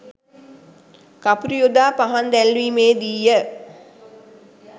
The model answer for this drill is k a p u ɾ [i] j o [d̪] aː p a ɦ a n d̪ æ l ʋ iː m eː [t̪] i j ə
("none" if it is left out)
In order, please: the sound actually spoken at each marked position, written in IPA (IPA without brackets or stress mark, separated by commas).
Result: i, d̪, d̪